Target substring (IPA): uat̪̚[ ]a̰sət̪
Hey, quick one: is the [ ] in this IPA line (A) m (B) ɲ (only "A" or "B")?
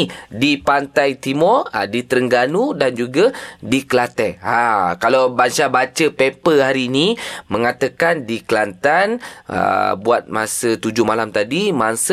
A